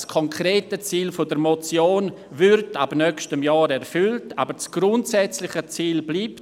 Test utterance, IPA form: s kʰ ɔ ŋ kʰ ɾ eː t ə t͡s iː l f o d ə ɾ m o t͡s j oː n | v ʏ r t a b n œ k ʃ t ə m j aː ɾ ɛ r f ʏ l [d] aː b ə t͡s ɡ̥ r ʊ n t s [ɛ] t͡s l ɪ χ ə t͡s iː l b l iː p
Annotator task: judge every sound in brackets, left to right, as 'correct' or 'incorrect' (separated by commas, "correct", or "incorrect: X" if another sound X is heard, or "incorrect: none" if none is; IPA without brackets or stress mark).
incorrect: t, correct